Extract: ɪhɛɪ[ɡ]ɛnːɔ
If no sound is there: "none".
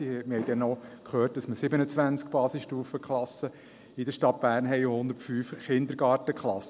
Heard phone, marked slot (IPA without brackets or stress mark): d